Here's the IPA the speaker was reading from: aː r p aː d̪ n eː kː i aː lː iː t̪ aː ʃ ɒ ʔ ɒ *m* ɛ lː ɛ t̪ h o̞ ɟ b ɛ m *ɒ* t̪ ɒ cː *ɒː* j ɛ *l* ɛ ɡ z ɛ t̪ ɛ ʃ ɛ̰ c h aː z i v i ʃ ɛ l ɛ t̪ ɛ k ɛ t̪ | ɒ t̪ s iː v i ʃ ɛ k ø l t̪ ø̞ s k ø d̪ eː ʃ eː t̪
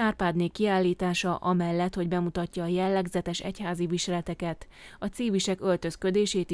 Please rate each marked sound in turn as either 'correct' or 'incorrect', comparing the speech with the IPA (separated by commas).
correct, incorrect, correct, incorrect